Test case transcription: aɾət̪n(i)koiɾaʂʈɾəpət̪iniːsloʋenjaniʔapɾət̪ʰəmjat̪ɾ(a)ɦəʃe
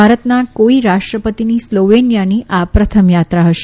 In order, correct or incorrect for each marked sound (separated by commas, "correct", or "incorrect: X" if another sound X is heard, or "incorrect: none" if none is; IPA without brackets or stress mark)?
incorrect: a, correct